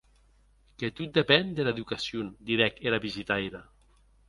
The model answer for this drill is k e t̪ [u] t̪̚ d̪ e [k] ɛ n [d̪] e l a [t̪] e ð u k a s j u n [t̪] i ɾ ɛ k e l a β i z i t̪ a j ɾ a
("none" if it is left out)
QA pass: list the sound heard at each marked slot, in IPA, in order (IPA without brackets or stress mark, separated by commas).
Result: u, p, d̪, none, d̪